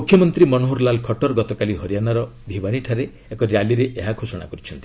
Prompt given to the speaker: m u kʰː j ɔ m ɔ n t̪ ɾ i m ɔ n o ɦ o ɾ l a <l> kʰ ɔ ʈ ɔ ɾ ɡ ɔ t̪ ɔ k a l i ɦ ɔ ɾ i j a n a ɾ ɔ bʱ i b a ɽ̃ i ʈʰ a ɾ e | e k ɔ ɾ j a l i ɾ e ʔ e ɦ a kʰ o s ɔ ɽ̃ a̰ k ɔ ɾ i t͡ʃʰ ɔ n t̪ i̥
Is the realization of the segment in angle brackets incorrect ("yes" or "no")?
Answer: no